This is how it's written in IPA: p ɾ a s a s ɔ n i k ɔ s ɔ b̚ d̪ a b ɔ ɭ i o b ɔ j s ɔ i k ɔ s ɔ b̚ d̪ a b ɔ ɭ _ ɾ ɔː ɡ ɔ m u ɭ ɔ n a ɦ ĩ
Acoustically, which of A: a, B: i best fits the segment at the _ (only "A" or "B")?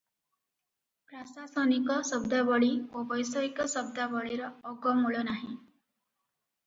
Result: B